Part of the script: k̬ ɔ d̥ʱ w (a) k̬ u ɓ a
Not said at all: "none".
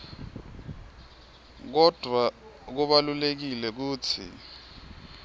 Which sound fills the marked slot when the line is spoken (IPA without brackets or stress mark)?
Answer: a